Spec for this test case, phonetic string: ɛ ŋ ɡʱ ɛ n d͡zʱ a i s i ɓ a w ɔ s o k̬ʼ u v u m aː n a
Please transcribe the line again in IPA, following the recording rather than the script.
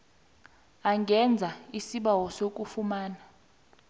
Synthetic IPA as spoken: a ŋ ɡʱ ɛ n d͡zʱ a i s i ɓ a w ɔ s o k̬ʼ u f u m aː n a